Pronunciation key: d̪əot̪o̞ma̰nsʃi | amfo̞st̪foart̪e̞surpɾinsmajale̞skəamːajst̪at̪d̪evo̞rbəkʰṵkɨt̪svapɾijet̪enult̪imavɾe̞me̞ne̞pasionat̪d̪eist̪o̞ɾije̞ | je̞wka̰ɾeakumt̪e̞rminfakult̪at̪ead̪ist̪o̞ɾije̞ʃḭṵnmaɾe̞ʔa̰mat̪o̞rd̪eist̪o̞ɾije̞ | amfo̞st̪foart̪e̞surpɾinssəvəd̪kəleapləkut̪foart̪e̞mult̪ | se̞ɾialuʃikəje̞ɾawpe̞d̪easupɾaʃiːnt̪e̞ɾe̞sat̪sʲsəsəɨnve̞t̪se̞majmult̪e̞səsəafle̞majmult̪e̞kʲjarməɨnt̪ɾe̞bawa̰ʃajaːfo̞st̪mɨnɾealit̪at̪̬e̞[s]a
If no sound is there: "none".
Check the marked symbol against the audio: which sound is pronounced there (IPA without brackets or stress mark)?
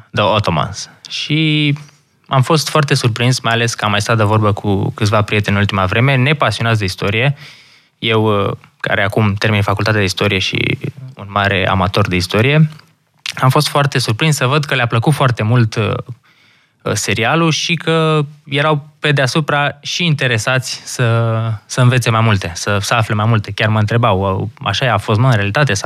s